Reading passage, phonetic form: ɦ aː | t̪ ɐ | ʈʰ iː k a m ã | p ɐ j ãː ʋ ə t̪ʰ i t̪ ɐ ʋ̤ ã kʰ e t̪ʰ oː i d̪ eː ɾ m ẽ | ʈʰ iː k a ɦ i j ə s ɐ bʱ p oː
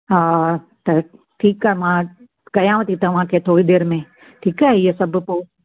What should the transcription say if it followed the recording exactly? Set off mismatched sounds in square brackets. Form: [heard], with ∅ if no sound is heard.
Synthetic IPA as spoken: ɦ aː | t̪ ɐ | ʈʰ iː k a m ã | [k] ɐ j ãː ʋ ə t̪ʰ i t̪ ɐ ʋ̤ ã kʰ e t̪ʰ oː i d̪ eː ɾ m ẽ | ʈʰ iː k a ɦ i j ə s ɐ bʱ p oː